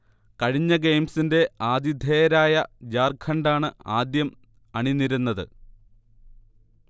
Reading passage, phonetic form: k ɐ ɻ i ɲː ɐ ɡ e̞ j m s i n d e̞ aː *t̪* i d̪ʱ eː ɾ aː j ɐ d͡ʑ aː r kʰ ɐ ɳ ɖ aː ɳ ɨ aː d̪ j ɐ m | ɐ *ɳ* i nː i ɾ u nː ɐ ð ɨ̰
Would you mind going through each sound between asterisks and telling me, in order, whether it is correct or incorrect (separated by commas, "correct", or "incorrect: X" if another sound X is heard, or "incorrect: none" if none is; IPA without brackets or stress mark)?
incorrect: d̪, correct